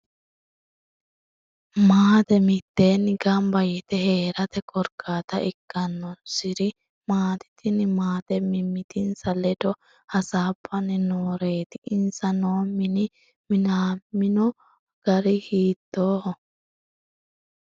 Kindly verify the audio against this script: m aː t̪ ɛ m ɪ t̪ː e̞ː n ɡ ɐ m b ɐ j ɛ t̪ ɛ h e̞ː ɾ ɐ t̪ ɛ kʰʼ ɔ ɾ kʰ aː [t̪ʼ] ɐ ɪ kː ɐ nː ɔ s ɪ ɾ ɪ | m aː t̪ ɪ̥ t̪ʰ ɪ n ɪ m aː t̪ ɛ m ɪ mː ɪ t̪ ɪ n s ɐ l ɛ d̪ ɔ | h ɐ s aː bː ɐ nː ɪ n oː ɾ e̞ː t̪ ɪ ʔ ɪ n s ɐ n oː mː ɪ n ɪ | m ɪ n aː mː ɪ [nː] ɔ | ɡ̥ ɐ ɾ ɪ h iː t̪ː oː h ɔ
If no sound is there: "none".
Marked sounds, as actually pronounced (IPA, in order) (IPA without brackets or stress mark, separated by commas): t̪, n